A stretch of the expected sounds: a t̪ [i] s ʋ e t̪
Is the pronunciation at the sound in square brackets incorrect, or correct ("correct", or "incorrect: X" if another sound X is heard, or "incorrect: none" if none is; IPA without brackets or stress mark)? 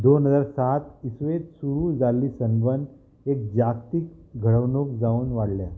correct